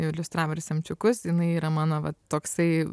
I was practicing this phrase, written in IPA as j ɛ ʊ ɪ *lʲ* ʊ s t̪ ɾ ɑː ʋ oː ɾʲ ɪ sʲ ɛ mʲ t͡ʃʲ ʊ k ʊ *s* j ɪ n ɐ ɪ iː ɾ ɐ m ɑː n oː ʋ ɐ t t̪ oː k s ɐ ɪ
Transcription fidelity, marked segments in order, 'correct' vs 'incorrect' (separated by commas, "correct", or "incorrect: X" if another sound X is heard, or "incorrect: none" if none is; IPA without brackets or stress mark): correct, correct